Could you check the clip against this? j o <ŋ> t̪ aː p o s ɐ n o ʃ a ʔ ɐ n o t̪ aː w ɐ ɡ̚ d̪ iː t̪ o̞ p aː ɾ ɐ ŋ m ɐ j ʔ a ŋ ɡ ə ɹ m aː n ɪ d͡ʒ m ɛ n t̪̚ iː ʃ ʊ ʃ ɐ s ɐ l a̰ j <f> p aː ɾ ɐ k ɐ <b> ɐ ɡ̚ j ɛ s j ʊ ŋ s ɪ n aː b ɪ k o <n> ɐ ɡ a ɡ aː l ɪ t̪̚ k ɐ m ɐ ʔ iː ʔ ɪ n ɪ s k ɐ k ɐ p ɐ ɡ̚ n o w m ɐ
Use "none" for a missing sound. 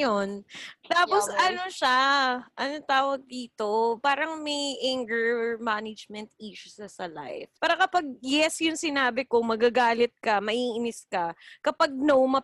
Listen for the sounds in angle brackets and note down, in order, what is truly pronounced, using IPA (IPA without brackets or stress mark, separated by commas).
n, f, p, m